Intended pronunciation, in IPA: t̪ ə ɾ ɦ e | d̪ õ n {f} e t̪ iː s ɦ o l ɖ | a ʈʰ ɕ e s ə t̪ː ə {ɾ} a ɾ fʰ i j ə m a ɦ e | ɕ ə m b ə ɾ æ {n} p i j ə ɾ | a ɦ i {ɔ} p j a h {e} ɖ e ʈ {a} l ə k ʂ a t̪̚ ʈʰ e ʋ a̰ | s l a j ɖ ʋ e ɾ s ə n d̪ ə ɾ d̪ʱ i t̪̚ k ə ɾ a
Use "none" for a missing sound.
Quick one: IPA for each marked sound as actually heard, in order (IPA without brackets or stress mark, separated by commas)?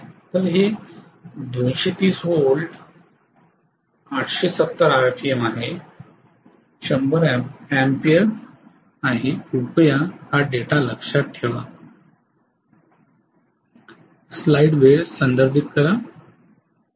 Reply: ɕ, ɾ, m, u, a, a